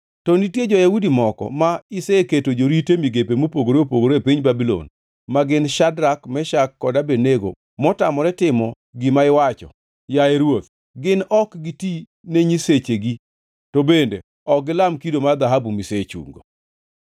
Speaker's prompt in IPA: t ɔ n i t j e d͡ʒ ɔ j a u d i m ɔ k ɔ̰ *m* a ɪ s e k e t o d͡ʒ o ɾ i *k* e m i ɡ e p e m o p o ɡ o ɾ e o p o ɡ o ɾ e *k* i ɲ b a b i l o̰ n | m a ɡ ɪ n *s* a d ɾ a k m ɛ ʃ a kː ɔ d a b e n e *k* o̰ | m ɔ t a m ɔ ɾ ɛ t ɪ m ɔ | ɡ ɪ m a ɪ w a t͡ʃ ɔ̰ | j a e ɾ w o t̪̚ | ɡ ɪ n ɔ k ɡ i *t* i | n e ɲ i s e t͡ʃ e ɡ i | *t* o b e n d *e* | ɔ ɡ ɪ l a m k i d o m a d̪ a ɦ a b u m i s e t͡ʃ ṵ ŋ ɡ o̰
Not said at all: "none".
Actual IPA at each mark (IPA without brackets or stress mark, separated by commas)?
m, t, p, ʃ, ɡ, t, t, e